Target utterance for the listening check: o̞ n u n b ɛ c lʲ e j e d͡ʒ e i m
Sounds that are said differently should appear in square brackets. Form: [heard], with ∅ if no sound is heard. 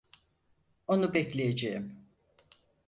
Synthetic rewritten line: o̞ n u [∅] b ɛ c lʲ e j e d͡ʒ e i m